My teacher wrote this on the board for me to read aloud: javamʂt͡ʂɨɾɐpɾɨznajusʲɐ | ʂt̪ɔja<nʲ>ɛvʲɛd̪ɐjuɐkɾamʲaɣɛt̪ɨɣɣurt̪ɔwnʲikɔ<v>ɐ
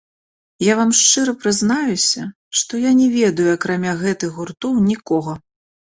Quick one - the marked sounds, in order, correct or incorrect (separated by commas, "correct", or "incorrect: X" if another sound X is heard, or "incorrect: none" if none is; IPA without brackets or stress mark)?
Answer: correct, incorrect: ɣ